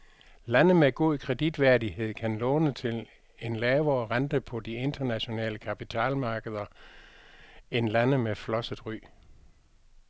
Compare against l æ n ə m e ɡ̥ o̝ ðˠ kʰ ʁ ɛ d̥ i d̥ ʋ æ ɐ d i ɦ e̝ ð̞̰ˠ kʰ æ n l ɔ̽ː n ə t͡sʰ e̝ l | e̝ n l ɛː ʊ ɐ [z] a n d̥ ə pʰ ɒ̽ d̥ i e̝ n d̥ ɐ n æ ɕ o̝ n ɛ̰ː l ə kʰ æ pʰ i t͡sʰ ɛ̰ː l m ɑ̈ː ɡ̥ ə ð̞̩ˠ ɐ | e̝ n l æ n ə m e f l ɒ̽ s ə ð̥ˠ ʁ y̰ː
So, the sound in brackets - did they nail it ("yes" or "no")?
no